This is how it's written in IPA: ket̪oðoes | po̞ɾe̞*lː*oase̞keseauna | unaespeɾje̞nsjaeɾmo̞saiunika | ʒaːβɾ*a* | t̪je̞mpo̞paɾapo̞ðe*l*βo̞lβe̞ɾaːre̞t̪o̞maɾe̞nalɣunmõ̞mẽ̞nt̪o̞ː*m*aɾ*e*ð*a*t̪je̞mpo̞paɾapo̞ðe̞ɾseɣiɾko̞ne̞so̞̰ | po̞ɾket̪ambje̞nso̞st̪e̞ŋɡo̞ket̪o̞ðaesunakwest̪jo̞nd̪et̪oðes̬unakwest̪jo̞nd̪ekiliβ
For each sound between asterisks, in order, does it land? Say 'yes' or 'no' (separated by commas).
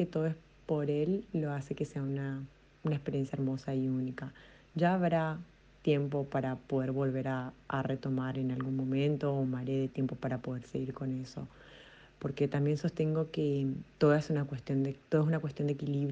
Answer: yes, yes, no, yes, yes, no